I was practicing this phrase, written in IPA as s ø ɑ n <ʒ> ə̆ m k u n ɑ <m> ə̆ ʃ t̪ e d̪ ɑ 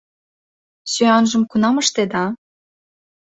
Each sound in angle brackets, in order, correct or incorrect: correct, correct

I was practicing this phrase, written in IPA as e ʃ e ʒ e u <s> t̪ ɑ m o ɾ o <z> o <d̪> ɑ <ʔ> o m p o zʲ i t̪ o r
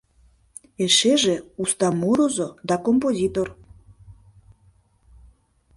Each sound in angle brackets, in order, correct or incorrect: correct, correct, correct, incorrect

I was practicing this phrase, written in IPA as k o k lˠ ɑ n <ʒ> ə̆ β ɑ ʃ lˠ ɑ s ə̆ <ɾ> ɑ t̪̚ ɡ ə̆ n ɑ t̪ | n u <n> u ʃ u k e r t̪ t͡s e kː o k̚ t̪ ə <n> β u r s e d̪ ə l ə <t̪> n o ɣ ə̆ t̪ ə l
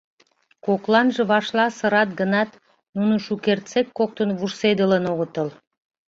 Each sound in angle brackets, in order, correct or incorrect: correct, correct, correct, correct, incorrect

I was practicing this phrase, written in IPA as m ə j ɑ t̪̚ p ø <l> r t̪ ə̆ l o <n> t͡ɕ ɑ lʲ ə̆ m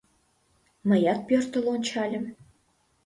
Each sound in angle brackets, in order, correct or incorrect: incorrect, correct

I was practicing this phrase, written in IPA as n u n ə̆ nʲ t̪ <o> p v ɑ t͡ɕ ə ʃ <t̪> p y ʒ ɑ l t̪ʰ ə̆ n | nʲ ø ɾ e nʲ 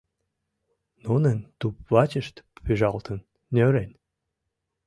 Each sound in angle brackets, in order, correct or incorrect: incorrect, correct

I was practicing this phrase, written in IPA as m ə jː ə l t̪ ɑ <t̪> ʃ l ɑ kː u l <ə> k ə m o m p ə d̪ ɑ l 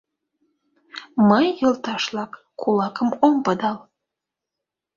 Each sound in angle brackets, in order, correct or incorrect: incorrect, incorrect

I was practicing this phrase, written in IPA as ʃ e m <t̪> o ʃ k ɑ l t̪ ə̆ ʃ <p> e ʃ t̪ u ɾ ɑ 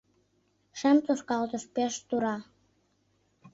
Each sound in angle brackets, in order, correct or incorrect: correct, correct

